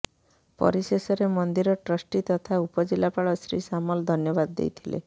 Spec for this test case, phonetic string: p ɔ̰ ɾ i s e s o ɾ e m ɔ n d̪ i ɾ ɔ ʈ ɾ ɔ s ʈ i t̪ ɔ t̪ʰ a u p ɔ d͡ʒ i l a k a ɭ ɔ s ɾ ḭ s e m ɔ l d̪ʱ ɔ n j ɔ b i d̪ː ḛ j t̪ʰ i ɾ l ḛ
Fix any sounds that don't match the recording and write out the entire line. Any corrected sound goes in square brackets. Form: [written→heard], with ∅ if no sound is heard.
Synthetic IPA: p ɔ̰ ɾ i s e s [o→ɔ] ɾ e m ɔ n d̪ i ɾ ɔ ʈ ɾ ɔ s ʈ i t̪ ɔ t̪ʰ a u p ɔ d͡ʒ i l a [k→p] a ɭ ɔ s ɾ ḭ s [e→a] m ɔ l d̪ʱ ɔ n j ɔ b [i→a] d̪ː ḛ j t̪ʰ i [ɾ→∅] l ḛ